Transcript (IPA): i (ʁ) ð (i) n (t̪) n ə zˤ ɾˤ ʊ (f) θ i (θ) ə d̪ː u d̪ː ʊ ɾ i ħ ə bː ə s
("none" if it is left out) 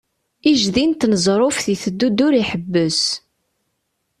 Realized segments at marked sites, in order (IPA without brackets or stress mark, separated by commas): ʒ, i, t̪, f, θ